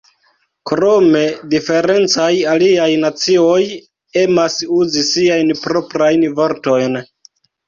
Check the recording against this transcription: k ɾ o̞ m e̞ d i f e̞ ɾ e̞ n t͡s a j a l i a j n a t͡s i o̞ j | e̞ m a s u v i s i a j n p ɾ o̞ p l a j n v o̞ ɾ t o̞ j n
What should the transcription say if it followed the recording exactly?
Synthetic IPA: k ɾ o̞ m e̞ d i f e̞ ɾ e̞ n t͡s a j a l i a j n a t͡s i o̞ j | e̞ m a s u z i s i a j n p ɾ o̞ p ɾ a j n v o̞ ɾ t o̞ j n